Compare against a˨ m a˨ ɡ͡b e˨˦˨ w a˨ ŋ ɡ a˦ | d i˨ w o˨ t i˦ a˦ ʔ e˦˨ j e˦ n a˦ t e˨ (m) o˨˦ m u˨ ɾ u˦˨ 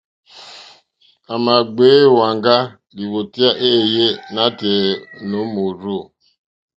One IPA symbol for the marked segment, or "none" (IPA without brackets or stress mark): n